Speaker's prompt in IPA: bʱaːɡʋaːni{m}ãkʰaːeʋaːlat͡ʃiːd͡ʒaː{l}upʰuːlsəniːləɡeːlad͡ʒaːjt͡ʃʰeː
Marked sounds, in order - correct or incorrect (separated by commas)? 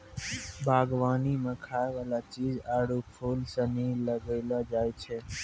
correct, incorrect